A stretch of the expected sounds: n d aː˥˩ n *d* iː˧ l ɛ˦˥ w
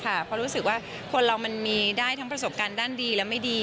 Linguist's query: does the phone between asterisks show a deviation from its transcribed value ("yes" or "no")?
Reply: no